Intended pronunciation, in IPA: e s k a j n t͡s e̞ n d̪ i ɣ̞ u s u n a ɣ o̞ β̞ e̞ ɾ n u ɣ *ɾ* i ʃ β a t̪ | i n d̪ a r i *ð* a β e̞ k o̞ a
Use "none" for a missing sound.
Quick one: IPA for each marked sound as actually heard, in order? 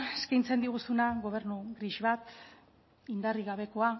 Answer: ɾ, ɣ

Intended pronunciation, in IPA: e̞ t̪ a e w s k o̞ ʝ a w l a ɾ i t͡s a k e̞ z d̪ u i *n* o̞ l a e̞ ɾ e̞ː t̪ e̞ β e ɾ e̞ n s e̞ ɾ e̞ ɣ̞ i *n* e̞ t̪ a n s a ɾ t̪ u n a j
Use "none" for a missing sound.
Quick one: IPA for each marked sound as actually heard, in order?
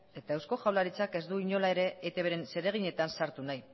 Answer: ɲ, ɲ

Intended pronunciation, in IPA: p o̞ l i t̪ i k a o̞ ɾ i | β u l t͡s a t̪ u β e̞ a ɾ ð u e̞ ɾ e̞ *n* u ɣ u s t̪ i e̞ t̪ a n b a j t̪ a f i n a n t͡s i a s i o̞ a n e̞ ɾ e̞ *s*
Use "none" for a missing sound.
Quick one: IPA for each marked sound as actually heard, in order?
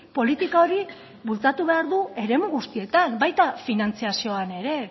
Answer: m, none

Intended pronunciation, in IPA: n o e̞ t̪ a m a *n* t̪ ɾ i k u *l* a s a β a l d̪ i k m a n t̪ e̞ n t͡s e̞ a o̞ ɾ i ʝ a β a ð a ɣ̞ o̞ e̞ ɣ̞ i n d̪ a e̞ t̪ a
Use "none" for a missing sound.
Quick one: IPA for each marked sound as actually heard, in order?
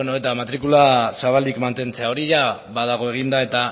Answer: none, l

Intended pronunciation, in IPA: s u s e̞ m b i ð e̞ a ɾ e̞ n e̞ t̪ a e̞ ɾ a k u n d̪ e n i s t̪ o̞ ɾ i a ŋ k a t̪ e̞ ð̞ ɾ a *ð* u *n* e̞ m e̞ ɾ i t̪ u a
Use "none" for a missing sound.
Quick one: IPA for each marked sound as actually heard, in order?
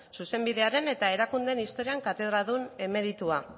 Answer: ð, n

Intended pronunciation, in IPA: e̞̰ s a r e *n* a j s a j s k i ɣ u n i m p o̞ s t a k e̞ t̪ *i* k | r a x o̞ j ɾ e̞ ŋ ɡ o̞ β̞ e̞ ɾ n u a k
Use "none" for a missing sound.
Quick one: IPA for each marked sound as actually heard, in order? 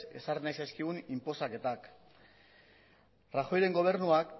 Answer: n, a

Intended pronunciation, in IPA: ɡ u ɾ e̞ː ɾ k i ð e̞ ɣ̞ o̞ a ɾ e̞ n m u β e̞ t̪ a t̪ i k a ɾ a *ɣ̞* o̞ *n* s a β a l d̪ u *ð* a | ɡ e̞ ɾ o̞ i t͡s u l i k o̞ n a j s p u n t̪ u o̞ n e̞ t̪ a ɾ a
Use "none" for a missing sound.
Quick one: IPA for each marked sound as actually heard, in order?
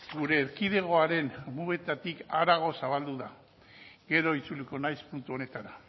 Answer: ɣ̞, none, ð

